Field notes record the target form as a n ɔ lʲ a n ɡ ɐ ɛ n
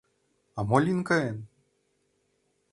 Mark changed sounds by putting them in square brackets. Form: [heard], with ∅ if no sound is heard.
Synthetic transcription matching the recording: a [m] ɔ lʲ [i] n [k] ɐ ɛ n